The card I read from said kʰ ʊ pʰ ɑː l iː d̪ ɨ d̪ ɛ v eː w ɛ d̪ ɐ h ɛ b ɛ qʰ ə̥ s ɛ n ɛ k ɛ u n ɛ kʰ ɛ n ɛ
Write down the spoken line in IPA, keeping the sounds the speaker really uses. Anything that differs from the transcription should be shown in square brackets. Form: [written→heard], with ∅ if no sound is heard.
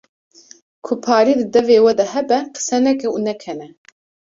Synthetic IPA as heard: kʰ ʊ pʰ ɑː [l→ɾ] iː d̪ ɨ d̪ ɛ v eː w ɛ d̪ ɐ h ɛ b ɛ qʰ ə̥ s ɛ n ɛ k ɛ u n ɛ kʰ ɛ n ɛ